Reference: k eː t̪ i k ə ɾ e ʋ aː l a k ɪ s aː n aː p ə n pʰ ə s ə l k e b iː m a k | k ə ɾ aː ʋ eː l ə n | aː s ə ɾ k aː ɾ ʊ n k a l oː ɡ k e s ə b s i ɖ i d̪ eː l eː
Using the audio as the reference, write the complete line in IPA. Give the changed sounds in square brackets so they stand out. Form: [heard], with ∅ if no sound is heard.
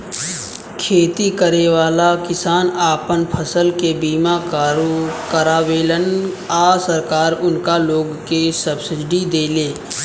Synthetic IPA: [kʰ] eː t̪ i k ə ɾ e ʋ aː l a k ɪ s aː n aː p ə n pʰ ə s ə l k e b iː m a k | k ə ɾ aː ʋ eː l ə n | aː s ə ɾ k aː ɾ ʊ n k a l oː ɡ k e s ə b s [ɪ] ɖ i d̪ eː l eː